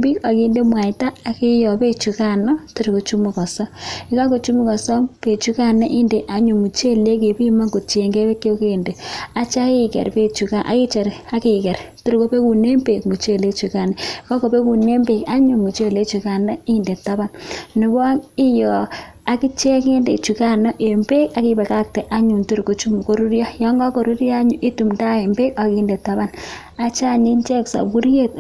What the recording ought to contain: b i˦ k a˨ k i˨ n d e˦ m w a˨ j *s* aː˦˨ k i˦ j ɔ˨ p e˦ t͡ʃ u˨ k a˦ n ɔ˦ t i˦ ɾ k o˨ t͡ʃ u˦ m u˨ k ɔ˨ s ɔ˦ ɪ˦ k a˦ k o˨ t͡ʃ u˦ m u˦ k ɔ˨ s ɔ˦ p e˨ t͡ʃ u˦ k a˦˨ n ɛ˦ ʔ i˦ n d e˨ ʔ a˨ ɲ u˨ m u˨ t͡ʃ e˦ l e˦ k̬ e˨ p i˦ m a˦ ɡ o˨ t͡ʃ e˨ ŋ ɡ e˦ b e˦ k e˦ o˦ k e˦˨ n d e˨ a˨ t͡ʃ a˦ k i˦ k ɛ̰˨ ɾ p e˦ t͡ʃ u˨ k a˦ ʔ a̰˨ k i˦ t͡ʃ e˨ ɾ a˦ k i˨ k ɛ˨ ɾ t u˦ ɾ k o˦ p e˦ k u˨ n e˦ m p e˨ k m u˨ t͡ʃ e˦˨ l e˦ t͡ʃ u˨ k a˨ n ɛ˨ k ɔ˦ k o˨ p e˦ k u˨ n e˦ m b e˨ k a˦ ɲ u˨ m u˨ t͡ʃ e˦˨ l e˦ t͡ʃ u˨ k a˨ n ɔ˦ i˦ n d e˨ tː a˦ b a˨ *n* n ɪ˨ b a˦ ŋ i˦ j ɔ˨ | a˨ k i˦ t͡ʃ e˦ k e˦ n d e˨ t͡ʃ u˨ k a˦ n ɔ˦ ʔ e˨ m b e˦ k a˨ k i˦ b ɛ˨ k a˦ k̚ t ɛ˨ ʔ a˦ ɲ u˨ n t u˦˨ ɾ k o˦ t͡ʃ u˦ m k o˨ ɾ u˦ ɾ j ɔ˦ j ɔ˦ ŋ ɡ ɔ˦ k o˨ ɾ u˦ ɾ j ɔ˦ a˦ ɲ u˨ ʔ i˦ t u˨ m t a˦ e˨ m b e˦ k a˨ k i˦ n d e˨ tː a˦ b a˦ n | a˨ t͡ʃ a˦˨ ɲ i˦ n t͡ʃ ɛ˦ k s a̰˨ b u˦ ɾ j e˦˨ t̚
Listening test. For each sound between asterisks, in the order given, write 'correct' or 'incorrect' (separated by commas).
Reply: incorrect, correct